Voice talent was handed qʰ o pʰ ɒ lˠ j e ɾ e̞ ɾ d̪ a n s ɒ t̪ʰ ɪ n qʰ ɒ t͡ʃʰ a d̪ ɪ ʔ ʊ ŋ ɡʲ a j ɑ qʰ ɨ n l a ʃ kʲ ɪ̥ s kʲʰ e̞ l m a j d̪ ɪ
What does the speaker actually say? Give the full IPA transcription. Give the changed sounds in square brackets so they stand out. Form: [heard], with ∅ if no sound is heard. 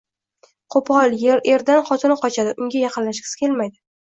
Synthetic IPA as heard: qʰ o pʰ ɒ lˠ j e ɾ e̞ ɾ d̪ a n [χ] ɒ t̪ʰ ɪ n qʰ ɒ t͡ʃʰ a d̪ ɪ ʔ ʊ ŋ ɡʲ a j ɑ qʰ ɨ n l a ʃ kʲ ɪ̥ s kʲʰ e̞ l m a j d̪ ɪ